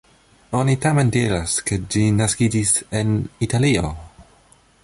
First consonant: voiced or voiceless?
voiced